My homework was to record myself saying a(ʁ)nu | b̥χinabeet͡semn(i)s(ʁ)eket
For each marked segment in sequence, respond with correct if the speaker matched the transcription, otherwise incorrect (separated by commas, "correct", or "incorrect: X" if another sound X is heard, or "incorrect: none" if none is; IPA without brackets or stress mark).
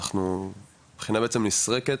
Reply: incorrect: χ, correct, correct